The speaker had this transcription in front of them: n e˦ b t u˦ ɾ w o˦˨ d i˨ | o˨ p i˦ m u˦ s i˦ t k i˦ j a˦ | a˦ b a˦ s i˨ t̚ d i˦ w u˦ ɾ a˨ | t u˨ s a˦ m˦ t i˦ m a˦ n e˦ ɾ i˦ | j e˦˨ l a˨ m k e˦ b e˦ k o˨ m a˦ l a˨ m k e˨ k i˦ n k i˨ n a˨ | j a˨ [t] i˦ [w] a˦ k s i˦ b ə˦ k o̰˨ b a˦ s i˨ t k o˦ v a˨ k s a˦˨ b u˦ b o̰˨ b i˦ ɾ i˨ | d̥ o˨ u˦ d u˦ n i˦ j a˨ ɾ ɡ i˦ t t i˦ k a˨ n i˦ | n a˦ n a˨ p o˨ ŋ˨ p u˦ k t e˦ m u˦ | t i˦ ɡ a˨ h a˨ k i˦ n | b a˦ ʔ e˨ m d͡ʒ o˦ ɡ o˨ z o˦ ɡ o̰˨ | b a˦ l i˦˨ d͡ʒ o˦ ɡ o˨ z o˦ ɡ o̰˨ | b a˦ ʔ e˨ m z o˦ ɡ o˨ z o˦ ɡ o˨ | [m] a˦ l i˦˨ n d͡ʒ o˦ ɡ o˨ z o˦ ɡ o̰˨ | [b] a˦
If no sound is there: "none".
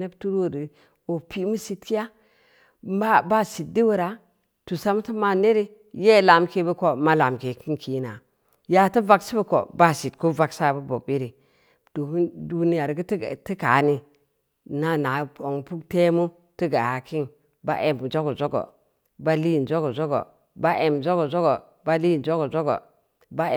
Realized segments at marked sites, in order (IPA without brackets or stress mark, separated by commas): t, v, b, b